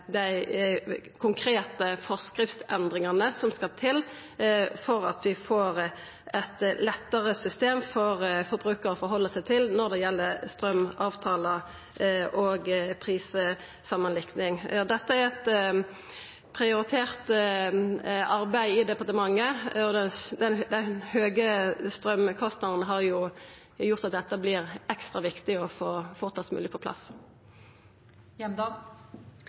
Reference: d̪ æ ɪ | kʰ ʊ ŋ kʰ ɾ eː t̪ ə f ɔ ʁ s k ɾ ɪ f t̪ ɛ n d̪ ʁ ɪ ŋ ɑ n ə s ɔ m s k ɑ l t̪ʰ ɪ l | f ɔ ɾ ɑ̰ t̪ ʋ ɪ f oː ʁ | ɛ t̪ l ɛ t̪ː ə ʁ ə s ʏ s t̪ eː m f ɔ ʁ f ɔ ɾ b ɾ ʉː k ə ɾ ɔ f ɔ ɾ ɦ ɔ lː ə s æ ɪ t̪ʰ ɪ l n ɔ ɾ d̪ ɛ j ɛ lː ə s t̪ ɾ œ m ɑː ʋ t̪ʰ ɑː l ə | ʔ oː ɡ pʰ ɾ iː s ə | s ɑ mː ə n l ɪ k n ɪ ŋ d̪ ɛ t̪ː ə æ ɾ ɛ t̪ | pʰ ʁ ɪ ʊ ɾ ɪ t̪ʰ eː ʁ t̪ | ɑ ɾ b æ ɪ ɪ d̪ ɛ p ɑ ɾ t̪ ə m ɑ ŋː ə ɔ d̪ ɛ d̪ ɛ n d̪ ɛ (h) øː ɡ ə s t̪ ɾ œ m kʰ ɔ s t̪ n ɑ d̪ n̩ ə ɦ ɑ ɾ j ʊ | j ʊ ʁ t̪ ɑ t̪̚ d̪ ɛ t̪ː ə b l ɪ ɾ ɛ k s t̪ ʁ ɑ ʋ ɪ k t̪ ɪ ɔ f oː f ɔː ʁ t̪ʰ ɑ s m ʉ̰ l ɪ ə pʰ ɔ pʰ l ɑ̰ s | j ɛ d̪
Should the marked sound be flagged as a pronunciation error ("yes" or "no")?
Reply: no